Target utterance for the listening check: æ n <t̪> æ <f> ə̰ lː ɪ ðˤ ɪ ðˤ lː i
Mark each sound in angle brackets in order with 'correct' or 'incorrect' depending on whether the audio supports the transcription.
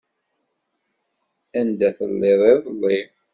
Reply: incorrect: d̪, incorrect: θ

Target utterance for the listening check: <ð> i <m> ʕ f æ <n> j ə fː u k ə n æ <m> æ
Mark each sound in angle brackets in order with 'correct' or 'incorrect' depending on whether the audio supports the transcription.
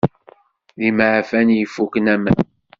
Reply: correct, correct, correct, correct

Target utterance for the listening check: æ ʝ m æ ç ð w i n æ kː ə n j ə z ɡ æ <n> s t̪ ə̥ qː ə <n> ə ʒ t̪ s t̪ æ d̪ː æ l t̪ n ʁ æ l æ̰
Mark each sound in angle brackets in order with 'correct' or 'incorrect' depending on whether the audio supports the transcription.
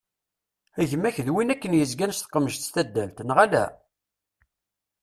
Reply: correct, incorrect: m

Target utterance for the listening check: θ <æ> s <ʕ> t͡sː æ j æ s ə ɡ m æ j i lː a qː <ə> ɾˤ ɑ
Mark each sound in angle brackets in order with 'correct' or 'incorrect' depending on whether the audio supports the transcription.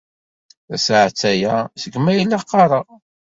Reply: correct, correct, incorrect: ɑ

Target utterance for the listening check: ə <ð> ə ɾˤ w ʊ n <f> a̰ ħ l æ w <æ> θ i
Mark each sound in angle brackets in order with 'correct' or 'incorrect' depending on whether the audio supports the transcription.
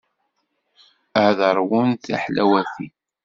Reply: correct, incorrect: θ, correct

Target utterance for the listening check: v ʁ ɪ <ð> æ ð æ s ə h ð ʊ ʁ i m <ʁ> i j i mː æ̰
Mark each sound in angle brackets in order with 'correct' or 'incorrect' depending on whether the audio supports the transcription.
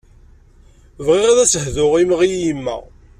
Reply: incorrect: ʁ, correct

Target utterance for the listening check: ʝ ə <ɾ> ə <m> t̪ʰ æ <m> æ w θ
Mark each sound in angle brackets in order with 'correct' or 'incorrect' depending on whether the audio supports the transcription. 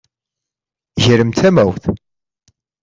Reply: correct, correct, correct

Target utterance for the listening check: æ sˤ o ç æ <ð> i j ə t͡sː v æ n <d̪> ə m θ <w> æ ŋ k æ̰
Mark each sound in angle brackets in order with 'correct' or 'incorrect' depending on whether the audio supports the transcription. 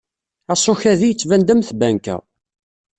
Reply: correct, correct, incorrect: b

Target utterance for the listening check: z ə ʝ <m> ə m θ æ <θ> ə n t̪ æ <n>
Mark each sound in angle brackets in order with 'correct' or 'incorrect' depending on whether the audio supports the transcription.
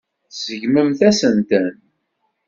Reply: correct, incorrect: s, correct

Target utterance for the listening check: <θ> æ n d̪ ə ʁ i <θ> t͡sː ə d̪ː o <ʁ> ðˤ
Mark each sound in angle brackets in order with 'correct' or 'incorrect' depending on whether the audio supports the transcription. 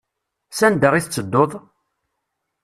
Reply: incorrect: s, correct, incorrect: none

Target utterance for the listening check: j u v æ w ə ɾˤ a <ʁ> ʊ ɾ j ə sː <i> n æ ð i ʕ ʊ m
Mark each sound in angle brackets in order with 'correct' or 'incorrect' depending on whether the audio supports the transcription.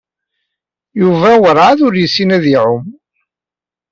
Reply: incorrect: ð, correct

